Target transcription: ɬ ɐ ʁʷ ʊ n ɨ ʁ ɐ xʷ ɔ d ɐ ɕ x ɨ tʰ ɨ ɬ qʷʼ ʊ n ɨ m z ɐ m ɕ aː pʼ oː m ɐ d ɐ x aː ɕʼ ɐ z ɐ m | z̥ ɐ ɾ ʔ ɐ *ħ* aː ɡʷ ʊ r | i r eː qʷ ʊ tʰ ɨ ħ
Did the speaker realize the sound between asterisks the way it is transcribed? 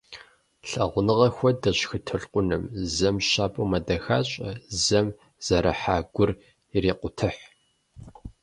yes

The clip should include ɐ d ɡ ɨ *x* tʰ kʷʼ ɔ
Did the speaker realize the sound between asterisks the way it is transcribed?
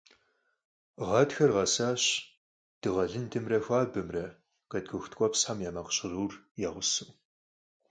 yes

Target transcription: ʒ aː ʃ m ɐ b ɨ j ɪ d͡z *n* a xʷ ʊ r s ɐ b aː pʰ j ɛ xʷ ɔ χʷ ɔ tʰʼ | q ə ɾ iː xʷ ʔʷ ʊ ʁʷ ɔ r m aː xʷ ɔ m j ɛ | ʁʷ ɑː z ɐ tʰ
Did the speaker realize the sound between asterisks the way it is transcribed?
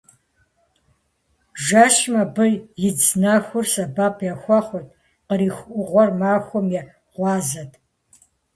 yes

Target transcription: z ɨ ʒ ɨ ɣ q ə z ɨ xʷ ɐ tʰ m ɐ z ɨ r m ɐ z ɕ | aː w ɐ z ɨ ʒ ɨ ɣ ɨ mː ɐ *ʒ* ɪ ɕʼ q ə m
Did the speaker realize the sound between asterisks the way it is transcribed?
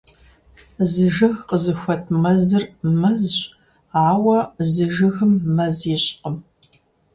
no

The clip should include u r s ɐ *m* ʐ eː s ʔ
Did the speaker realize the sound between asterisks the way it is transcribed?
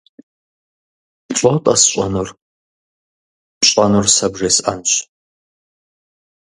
no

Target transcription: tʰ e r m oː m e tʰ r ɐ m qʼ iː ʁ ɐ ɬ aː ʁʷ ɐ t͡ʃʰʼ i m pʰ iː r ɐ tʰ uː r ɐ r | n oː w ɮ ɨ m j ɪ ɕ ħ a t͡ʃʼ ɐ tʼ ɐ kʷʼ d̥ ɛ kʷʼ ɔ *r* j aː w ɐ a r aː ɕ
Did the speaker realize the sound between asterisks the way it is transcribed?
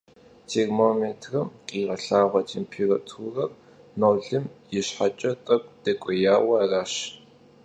no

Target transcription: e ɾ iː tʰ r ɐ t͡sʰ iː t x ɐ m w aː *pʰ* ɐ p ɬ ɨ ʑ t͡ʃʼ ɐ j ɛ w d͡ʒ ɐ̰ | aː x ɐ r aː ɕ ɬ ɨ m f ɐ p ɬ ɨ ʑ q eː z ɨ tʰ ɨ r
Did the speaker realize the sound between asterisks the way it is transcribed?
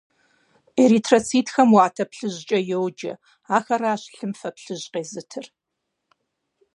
no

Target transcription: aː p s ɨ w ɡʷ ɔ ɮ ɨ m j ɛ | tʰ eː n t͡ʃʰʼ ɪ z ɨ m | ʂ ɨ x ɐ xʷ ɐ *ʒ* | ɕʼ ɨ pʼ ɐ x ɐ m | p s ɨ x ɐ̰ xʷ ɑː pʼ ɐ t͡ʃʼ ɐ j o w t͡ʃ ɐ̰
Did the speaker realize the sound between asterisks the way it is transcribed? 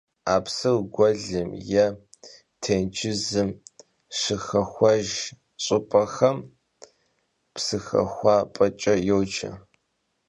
yes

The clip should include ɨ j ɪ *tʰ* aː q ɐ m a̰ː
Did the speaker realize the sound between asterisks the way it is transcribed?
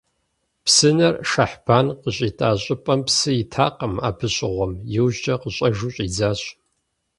yes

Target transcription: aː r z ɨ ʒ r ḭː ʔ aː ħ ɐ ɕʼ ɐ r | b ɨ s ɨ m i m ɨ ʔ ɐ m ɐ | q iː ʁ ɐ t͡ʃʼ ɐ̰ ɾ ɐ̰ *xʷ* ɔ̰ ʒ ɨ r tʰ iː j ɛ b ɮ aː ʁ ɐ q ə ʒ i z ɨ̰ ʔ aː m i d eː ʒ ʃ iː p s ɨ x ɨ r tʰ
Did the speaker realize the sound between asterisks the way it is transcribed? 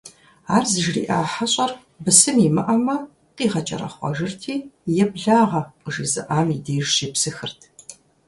no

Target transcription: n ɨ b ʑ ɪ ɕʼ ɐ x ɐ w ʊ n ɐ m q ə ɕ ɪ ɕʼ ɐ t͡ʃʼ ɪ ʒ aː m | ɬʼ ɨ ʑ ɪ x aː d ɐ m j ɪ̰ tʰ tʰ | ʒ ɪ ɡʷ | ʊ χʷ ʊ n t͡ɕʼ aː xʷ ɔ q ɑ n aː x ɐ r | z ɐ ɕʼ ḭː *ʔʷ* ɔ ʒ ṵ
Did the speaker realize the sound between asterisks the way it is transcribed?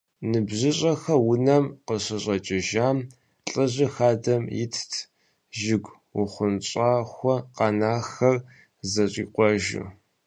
no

